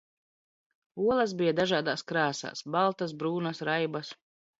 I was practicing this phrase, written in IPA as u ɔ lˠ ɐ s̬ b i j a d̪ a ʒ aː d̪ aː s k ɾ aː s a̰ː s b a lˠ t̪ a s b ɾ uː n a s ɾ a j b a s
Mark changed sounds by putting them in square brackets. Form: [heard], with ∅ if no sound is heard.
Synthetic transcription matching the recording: u ɔ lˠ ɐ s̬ b i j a d̪ a ʒ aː d̪ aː s k ɾ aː s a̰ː s b a lˠ t̪ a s b ɾ uː n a s ɾ a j b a s